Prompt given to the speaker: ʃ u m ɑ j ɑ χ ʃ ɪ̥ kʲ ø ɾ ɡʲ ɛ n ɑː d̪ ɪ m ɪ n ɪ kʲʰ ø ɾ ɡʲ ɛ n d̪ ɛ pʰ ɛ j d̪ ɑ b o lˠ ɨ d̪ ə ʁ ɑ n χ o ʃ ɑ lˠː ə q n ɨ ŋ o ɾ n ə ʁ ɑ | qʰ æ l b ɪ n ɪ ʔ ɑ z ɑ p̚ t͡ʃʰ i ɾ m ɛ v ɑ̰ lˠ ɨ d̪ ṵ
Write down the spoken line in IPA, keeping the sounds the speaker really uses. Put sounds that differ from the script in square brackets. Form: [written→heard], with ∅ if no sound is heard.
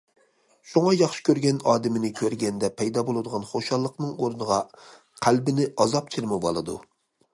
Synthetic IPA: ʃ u [m→ŋ] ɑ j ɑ χ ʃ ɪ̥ kʲ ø ɾ ɡʲ ɛ n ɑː d̪ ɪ m ɪ n ɪ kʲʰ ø ɾ ɡʲ ɛ n d̪ ɛ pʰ ɛ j d̪ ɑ b o lˠ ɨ d̪ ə ʁ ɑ n χ o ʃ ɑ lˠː ə q n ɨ ŋ o ɾ n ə ʁ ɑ | qʰ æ l b ɪ n ɪ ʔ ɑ z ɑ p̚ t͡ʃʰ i ɾ m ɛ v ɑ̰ lˠ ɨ d̪ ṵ